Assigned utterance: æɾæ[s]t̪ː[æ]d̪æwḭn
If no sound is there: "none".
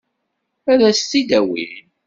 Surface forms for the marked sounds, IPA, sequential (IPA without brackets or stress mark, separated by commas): s, i